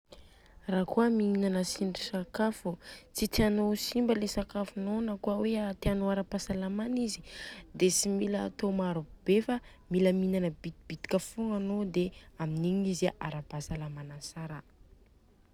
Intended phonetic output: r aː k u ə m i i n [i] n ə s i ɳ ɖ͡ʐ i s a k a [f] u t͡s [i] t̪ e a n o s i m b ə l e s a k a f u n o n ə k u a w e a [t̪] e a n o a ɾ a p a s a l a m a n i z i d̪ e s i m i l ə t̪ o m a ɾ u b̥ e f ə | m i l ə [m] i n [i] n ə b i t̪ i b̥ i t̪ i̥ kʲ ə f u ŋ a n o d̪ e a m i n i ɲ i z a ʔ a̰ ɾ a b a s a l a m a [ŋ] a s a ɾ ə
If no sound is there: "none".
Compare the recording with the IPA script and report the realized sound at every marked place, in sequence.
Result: a, f, i, t̪, m, a, n

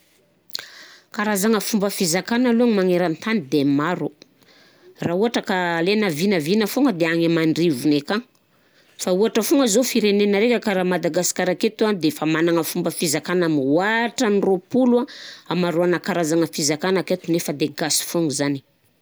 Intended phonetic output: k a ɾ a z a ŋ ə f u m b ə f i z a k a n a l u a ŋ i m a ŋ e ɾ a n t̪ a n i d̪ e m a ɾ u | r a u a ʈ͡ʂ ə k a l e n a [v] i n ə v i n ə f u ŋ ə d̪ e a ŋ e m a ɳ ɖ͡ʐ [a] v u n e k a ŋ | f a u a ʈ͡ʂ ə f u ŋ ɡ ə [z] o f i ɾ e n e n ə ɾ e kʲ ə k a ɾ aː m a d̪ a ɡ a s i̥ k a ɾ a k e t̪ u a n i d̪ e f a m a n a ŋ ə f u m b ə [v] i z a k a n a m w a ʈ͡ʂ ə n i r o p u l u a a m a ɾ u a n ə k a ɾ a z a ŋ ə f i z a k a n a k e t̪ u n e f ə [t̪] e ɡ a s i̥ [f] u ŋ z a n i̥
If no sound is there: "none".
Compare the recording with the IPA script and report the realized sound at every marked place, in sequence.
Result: v, i, z, f, d̪, f

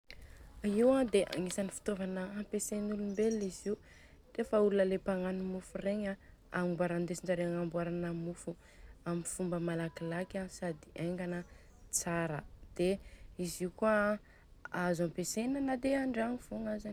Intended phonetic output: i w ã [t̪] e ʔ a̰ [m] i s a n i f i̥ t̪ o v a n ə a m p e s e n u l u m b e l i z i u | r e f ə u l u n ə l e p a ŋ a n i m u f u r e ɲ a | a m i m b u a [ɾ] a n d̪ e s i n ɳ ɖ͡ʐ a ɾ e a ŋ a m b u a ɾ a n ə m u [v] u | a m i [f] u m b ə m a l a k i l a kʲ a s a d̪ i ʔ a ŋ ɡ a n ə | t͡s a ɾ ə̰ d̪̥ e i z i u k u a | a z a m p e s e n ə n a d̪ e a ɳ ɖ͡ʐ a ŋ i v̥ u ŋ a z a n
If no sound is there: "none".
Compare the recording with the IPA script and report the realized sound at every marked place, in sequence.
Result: d̪, ŋ, ɾ, f, f

